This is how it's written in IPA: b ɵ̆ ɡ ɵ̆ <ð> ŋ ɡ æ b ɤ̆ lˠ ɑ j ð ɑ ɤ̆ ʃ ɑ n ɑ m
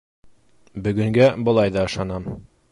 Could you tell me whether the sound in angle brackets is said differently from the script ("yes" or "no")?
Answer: yes